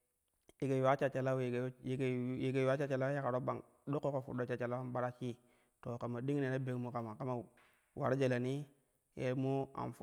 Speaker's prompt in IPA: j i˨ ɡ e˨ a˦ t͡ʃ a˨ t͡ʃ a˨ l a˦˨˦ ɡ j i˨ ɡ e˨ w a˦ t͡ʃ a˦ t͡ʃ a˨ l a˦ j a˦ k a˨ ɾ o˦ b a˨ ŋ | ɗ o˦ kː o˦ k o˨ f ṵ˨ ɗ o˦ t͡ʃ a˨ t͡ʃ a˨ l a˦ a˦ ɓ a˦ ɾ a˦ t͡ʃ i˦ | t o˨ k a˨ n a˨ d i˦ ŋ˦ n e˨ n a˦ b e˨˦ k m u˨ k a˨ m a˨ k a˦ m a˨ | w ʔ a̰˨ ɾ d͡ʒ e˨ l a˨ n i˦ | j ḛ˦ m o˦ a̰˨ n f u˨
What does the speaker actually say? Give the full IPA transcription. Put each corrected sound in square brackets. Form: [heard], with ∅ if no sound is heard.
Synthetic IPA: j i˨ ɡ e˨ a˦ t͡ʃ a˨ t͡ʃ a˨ l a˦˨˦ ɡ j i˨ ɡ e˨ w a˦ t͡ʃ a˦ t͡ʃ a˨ l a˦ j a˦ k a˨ ɾ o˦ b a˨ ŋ | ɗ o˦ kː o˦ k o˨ f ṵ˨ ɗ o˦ t͡ʃ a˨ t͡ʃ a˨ l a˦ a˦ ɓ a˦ ɾ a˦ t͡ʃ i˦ | t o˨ k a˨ [m] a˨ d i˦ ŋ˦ n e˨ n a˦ b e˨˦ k m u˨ k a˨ m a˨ k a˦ m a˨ | w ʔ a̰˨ ɾ d͡ʒ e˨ l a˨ n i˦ | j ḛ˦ m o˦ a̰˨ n f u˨